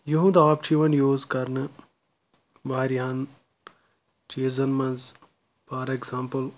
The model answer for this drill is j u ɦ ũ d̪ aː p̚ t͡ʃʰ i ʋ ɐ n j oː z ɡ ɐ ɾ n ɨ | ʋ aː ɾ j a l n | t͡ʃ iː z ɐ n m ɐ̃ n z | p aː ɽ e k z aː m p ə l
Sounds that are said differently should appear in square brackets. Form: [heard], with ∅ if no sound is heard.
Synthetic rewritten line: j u ɦ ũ d̪ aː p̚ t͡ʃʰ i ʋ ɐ n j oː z [k] ɐ ɾ n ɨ | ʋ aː ɾ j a [∅] n | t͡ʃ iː z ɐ n m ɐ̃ n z | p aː [ɾ] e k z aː m p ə l